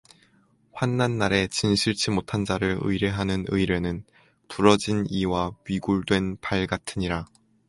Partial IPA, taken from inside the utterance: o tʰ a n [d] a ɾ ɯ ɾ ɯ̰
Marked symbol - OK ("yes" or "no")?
no